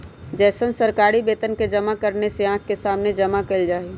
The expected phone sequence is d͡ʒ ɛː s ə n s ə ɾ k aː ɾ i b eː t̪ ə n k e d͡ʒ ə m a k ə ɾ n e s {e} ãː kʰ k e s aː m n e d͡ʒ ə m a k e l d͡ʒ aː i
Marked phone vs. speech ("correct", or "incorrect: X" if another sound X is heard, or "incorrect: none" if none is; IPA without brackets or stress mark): correct